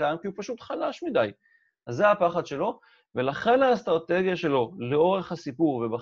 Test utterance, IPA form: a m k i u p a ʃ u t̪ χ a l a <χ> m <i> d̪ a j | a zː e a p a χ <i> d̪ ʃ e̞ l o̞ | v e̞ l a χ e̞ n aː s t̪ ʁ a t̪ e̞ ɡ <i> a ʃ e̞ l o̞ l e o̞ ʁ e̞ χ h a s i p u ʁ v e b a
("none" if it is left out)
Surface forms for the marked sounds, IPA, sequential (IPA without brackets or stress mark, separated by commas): ʃ, i, a, j